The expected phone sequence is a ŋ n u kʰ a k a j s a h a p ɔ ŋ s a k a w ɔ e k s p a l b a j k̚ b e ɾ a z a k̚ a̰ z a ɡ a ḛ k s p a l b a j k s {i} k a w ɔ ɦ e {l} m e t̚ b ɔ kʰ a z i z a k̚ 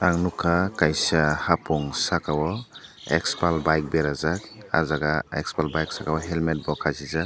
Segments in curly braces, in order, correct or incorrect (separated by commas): incorrect, correct